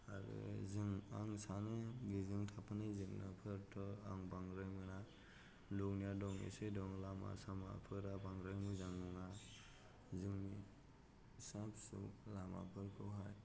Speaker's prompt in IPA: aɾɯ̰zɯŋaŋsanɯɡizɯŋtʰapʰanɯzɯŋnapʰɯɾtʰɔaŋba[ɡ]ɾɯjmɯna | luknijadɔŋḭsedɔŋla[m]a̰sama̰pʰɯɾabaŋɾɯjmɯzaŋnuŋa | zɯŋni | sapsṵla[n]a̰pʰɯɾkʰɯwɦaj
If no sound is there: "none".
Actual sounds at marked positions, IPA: ŋ, m, m

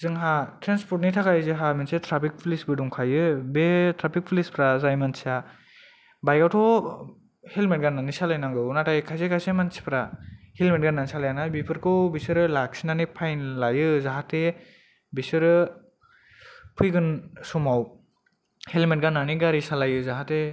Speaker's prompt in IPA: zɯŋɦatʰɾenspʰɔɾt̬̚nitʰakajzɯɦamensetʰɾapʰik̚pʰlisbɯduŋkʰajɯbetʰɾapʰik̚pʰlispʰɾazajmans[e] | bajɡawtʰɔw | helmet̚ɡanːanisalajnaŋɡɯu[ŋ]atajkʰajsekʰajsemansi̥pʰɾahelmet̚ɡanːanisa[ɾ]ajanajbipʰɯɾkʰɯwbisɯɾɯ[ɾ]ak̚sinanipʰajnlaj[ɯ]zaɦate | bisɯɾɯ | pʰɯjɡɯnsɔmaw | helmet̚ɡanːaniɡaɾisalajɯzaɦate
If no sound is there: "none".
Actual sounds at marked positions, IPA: a, n, l, l, ɯ

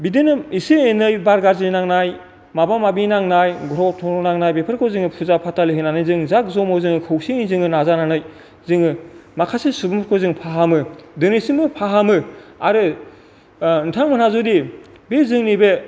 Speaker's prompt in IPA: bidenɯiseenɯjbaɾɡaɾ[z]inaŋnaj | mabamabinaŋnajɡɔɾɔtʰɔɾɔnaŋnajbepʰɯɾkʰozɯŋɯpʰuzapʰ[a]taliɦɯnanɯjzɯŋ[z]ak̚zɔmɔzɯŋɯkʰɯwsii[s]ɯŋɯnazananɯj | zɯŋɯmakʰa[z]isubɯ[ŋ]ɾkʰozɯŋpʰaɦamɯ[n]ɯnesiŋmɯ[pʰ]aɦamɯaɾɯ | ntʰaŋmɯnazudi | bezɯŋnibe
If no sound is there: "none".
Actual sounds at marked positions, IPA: z, a, z, z, s, m, d, pʰ

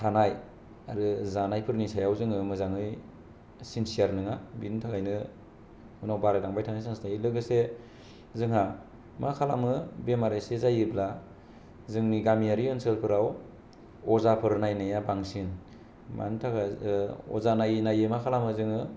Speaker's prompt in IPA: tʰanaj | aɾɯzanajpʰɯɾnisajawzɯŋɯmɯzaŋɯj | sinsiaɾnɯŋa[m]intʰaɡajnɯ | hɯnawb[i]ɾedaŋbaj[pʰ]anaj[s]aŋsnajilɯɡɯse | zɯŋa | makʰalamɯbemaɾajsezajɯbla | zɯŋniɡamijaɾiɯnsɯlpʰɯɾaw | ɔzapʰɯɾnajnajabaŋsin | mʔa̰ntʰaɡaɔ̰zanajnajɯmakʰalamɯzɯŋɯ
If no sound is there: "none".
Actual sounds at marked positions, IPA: b, a, tʰ, s

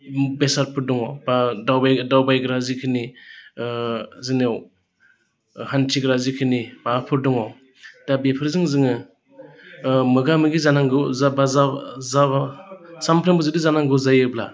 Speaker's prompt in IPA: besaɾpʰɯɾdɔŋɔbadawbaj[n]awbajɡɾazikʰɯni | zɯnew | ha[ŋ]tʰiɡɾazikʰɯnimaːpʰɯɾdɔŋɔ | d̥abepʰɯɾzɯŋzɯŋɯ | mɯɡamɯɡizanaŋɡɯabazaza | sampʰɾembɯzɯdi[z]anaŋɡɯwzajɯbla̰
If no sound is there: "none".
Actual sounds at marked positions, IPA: d, n, z

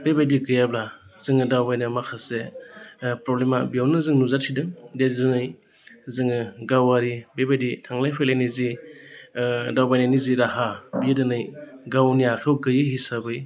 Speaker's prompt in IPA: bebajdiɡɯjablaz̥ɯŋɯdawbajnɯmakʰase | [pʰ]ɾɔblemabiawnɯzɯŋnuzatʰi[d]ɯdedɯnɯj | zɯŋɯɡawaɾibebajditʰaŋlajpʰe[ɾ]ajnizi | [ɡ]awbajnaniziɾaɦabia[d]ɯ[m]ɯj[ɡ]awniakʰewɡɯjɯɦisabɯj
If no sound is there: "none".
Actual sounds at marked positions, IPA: p, d, l, d, d, n, ɡ

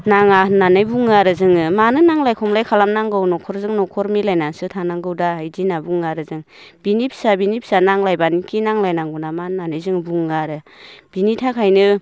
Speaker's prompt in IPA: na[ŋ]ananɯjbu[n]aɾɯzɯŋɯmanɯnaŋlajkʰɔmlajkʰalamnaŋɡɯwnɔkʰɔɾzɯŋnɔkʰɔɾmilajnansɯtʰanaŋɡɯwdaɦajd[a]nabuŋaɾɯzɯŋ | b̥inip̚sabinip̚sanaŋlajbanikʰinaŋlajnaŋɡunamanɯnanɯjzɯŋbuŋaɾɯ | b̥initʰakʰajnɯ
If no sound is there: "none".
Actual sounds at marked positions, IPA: ŋ, ŋ, i

